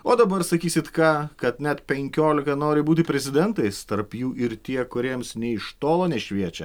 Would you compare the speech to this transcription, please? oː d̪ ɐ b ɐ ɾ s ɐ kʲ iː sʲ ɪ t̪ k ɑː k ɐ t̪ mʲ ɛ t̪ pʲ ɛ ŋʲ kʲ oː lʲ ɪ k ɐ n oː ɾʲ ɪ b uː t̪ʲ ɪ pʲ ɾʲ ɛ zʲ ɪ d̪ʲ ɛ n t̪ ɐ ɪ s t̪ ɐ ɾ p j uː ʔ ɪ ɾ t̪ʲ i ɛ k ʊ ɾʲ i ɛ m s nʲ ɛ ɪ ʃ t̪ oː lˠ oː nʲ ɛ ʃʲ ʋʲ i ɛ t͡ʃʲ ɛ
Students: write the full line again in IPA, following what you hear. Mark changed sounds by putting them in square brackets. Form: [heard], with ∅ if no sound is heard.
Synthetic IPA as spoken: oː d̪ ɐ b ɐ ɾ s ɐ kʲ iː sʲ ɪ t̪ k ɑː k ɐ t̪ [nʲ] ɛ t̪ pʲ ɛ ŋʲ kʲ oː lʲ ɪ k ɐ n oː ɾʲ ɪ b uː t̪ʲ ɪ pʲ ɾʲ ɛ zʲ ɪ d̪ʲ ɛ n t̪ ɐ ɪ s t̪ ɐ ɾ p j uː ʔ ɪ ɾ t̪ʲ i ɛ k ʊ ɾʲ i ɛ m s nʲ ɛ ɪ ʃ t̪ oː lˠ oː nʲ ɛ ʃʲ ʋʲ i ɛ t͡ʃʲ ɛ